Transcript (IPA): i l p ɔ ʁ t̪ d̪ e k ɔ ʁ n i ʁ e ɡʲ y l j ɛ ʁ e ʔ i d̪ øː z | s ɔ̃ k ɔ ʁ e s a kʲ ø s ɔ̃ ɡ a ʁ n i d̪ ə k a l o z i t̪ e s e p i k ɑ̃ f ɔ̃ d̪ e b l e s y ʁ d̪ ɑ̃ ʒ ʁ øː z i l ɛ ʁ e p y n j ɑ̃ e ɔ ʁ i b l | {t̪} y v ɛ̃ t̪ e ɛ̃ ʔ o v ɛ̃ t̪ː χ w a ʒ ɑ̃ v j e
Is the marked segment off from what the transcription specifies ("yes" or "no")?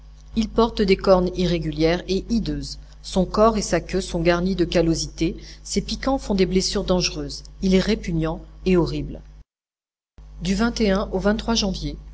yes